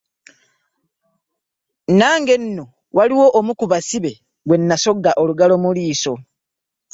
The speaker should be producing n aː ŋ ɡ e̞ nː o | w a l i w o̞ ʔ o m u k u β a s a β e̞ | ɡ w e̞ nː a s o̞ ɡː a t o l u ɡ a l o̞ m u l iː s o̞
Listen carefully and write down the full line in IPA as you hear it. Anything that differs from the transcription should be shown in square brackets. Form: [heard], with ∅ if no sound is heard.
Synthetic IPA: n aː ŋ ɡ e̞ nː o | w a l i w o̞ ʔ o m u k u β a s [i] β e̞ | ɡ w e̞ nː a s o̞ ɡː a [ʔ] o l u ɡ a l o̞ m u l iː s o̞